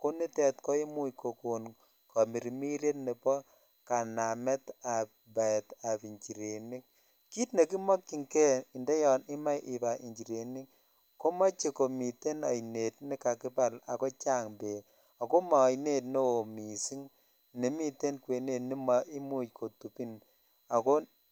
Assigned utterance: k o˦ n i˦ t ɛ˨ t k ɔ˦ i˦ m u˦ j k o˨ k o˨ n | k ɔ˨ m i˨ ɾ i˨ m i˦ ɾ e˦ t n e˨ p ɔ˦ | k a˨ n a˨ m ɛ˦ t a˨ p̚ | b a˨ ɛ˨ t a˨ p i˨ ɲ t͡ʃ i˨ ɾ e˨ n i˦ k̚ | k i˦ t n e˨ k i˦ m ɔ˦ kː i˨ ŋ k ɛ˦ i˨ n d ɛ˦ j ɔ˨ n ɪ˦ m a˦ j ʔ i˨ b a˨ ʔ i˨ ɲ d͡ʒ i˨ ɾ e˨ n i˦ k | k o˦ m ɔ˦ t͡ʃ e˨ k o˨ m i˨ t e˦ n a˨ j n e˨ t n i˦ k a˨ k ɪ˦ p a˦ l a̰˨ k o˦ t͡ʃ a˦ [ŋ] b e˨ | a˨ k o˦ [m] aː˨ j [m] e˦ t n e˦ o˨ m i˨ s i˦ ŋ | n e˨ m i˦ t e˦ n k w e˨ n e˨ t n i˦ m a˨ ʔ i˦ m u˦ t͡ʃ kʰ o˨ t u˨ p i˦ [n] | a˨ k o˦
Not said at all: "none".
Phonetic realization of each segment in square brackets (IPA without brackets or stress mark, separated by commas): ŋ, m, n, n